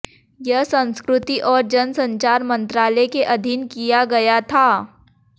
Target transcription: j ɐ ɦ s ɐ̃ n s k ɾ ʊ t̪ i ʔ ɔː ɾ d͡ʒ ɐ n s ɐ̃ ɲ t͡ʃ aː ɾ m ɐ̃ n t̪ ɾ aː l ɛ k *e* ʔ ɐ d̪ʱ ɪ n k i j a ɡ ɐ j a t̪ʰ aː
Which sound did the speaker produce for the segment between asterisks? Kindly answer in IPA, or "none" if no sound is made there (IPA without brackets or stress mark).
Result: e